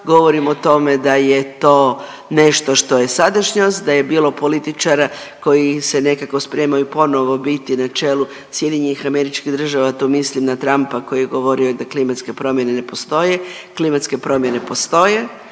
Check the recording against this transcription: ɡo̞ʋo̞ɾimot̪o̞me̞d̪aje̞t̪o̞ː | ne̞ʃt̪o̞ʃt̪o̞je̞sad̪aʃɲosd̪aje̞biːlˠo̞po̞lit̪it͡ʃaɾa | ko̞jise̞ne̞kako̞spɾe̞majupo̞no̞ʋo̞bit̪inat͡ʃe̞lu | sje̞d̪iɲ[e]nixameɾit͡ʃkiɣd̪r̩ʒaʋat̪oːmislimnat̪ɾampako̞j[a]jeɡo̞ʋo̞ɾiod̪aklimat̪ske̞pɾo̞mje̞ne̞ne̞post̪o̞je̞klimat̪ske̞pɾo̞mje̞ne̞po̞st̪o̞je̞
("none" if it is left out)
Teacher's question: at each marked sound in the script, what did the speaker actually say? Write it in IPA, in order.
e, i

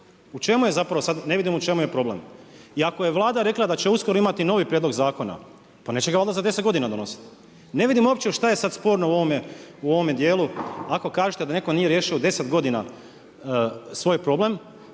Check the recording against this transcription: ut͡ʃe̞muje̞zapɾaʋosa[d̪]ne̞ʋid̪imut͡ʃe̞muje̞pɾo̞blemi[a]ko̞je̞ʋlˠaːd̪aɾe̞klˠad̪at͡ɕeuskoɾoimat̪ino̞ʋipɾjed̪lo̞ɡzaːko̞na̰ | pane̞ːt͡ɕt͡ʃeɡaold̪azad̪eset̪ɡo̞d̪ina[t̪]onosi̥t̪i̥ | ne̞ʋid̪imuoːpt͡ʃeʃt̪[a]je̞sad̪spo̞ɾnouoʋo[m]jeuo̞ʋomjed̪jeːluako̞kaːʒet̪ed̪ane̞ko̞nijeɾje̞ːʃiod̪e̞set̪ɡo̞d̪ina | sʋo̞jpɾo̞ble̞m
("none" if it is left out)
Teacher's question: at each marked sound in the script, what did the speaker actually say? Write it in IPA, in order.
d̪, a, d̪, a, m

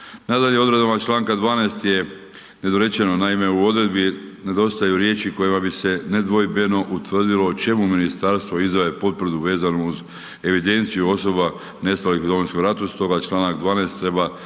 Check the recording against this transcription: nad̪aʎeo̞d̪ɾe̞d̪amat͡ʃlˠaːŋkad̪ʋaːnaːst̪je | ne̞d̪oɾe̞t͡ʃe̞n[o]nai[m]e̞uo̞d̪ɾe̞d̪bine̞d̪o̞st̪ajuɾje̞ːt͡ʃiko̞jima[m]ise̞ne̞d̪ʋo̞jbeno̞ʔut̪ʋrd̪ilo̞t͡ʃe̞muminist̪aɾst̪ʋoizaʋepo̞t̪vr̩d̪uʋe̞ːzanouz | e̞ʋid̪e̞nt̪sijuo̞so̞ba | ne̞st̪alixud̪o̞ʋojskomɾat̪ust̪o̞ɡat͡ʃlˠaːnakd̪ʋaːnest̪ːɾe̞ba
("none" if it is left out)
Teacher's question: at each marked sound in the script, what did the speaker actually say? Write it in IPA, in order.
o, m, b

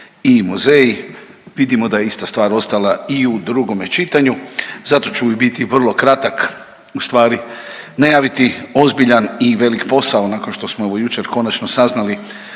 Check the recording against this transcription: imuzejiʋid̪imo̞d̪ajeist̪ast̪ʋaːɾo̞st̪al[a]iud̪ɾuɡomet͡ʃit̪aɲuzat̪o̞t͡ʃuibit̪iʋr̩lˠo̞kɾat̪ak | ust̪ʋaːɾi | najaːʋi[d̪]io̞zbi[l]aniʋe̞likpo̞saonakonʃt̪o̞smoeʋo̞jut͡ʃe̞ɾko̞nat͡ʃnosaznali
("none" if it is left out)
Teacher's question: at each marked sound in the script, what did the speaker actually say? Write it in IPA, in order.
a, t̪, ʎ

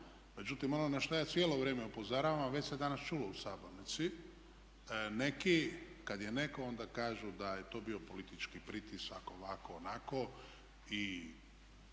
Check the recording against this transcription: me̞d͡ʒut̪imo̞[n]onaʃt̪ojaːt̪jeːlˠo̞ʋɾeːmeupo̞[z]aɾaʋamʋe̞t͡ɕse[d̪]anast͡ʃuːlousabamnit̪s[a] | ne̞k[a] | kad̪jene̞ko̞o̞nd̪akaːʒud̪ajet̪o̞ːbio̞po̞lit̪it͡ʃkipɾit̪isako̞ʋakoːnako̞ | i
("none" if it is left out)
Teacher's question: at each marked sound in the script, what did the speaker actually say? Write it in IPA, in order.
n, z, d̪, i, i

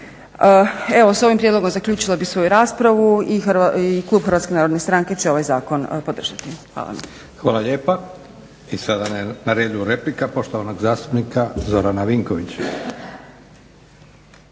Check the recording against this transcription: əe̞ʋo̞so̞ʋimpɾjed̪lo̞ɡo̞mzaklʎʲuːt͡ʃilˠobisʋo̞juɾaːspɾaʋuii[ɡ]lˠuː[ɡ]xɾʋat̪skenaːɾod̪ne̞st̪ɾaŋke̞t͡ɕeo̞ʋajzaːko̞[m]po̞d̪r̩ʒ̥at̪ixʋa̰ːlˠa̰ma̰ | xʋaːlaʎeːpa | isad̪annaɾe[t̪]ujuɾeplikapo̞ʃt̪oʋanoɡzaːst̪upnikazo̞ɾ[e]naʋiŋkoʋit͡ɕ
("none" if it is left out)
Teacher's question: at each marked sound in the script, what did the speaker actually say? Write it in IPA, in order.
k, b, n, d̪, a

